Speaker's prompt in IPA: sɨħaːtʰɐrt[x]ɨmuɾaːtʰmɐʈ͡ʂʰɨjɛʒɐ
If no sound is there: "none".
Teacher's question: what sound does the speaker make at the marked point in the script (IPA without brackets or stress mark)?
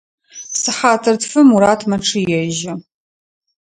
f